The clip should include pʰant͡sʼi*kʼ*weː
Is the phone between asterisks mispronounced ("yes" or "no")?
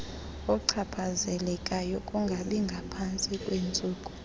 no